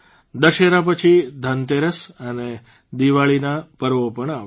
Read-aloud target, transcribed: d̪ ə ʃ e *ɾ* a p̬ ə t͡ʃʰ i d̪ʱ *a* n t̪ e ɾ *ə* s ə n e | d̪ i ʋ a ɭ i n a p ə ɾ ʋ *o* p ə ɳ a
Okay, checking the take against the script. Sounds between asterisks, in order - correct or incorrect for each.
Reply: correct, incorrect: ə, correct, correct

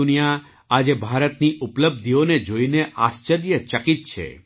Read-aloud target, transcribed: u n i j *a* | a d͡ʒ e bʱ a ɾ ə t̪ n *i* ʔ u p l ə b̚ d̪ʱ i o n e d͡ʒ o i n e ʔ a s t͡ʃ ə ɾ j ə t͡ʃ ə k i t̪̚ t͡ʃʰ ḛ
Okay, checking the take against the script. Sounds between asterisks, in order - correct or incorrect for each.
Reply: correct, correct

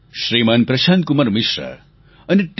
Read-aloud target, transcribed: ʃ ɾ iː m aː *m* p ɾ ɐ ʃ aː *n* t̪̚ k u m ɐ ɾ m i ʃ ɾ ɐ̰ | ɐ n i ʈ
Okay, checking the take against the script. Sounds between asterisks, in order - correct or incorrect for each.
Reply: incorrect: n, correct

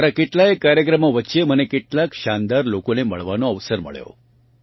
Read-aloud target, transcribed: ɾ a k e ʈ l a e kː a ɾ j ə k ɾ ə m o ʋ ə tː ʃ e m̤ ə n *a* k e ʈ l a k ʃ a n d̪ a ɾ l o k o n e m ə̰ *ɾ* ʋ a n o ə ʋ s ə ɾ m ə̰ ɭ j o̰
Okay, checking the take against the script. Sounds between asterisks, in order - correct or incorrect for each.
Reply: incorrect: e, incorrect: ɭ

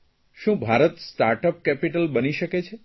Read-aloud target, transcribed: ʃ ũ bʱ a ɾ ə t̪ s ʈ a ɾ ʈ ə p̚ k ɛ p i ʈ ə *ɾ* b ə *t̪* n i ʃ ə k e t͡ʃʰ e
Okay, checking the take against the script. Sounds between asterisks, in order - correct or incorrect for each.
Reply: incorrect: l, incorrect: none

